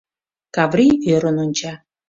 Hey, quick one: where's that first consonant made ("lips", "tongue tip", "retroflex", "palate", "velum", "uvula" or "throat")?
velum